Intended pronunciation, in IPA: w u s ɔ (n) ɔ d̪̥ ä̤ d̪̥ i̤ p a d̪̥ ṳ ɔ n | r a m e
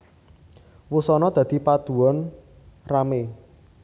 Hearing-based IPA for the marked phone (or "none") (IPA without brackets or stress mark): n